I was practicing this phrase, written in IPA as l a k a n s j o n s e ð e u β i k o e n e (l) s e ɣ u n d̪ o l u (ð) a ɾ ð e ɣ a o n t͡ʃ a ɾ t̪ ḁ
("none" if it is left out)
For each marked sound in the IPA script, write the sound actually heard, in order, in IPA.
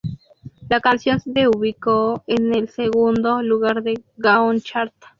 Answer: l, ɣ

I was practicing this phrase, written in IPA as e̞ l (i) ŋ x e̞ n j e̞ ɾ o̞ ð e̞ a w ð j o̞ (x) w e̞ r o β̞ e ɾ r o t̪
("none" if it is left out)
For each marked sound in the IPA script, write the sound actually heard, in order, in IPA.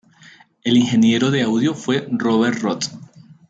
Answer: i, f

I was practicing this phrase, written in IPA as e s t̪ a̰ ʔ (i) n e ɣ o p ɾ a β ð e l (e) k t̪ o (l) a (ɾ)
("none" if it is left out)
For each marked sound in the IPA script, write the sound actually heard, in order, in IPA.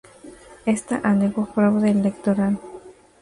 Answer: a, e, ɾ, l

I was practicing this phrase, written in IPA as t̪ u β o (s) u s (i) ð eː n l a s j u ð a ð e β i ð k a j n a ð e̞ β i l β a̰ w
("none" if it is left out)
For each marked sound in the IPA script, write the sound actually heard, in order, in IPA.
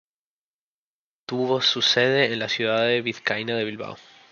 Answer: s, e

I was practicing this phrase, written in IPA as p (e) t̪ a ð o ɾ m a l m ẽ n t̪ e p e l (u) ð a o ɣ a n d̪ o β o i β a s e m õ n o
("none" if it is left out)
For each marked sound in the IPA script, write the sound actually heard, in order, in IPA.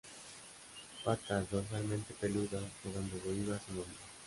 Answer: a, u

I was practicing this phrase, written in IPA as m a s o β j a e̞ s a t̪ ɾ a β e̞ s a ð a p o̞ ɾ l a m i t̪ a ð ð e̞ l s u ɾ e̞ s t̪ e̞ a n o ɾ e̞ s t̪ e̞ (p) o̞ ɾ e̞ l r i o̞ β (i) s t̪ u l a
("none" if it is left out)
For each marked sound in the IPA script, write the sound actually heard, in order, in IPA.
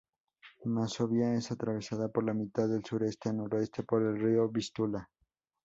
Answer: p, i

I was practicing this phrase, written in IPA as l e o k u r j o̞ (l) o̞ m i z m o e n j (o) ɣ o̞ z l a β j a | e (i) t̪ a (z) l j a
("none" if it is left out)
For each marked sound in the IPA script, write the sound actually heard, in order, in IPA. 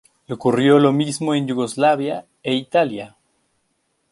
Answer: l, u, i, none

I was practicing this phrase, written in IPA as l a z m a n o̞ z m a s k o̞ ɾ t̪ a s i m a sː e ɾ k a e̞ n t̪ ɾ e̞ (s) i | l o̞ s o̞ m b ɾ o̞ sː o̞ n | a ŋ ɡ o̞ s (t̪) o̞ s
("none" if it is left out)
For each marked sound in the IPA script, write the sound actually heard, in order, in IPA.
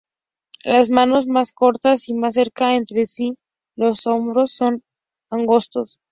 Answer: s, t̪

